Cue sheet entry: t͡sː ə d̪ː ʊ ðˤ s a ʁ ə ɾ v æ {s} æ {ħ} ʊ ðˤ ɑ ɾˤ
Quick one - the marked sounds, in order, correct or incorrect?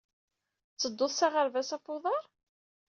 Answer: correct, incorrect: f

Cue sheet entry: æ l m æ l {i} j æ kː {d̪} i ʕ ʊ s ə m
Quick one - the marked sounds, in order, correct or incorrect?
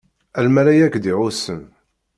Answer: incorrect: æ, correct

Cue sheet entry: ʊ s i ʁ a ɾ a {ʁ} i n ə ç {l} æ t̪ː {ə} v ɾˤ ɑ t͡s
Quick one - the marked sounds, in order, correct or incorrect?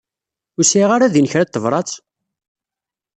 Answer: incorrect: ð, incorrect: ɾ, correct

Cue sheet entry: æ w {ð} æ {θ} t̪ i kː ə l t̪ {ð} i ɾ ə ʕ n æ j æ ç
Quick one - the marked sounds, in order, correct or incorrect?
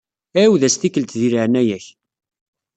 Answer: correct, incorrect: s, correct

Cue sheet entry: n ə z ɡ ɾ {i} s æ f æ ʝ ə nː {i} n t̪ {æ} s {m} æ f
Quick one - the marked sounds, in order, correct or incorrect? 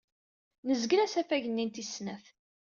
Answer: incorrect: æ, correct, incorrect: i, incorrect: n

